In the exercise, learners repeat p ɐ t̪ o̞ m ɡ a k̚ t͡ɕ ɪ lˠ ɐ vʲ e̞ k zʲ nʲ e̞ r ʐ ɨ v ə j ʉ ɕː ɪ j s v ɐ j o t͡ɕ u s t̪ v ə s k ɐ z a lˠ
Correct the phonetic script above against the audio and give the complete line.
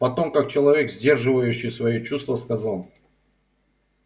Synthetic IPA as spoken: p ɐ t̪ o̞ m k a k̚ t͡ɕ ɪ lˠ ɐ vʲ e̞ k zʲ dʲ e̞ r ʐ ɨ v ə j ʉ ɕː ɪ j s v ɐ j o t͡ɕ u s t̪ v ə s k ɐ z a lˠ